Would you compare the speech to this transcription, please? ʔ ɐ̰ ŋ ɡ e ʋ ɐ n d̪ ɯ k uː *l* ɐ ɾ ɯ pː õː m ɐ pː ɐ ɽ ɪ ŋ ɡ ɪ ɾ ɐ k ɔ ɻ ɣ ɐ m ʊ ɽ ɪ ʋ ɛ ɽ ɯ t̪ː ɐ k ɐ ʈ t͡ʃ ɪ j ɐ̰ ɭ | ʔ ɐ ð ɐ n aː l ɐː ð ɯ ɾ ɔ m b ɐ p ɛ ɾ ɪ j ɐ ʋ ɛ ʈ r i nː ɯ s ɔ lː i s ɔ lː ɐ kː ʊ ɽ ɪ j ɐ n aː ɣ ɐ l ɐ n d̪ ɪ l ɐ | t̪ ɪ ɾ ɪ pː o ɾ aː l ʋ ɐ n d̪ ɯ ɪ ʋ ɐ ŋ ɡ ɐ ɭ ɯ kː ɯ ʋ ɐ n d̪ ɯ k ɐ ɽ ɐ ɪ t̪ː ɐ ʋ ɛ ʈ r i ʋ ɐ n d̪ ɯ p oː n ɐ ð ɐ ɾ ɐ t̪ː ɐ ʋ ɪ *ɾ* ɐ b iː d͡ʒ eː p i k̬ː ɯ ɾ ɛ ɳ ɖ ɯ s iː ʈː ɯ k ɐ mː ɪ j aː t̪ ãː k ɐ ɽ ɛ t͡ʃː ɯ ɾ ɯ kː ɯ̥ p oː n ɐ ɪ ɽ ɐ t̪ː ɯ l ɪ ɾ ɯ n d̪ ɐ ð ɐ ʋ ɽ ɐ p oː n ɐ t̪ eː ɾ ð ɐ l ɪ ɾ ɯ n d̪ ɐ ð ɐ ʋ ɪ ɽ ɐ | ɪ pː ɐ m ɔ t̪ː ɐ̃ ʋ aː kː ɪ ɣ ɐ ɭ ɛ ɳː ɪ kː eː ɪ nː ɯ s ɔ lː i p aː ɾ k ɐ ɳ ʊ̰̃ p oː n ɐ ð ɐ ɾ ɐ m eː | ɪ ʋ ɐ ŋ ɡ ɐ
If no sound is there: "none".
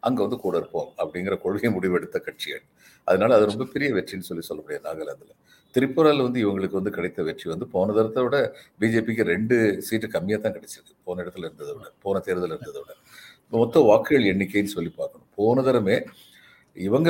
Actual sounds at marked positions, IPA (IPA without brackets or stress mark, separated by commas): ɽ, ɽ